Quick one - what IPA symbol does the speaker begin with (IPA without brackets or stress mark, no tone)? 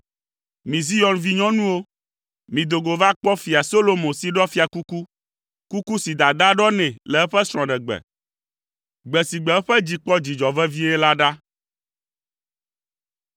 m